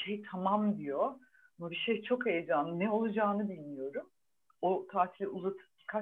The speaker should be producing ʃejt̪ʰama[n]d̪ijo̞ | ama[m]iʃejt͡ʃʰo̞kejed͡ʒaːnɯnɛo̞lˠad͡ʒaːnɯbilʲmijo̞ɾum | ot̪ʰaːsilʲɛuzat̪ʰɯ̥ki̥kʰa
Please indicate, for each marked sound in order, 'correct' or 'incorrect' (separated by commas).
incorrect, incorrect